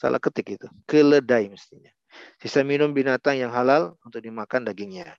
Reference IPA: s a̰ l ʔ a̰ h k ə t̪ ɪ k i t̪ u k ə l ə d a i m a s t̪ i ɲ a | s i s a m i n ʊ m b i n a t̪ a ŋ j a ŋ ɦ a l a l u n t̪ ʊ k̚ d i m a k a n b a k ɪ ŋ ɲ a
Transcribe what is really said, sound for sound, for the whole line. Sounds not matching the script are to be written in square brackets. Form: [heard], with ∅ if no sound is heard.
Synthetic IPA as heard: s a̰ l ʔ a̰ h k ə t̪ ɪ k i t̪ u k ə l ə d a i m [ə] s t̪ i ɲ a | s i s a m i n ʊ m b i n a t̪ a ŋ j a ŋ ɦ a l a l u n t̪ ʊ k̚ d i m a k a n [d] a [ɡ] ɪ ŋ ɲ a